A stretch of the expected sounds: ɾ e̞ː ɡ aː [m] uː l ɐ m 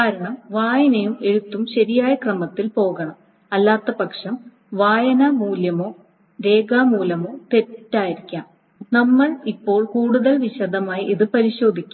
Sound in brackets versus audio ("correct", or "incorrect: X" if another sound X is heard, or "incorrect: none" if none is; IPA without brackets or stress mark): correct